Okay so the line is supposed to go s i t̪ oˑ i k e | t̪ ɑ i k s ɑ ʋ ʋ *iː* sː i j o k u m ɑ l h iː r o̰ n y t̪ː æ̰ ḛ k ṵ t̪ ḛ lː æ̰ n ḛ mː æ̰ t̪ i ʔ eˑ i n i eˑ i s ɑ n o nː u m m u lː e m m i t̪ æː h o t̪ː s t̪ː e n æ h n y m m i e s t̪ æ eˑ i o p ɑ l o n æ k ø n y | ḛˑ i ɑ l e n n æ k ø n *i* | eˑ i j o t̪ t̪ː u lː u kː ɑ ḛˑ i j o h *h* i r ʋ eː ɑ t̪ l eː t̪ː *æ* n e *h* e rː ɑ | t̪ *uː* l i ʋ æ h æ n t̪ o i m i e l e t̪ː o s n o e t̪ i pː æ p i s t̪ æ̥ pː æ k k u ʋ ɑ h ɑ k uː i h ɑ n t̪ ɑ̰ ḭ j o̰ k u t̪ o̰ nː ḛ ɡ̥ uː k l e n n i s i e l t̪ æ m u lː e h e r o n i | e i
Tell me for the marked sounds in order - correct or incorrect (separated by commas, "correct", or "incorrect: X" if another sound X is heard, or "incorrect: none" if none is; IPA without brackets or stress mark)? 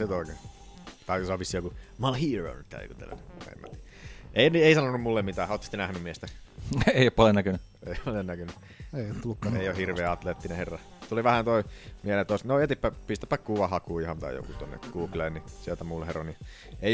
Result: incorrect: i, incorrect: y, correct, incorrect: i, correct, incorrect: u